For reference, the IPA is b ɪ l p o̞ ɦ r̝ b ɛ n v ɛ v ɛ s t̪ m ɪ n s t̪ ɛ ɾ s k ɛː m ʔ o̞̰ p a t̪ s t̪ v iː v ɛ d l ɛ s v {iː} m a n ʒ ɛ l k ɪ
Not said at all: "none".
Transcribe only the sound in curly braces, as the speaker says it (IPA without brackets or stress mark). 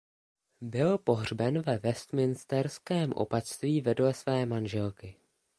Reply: ɛː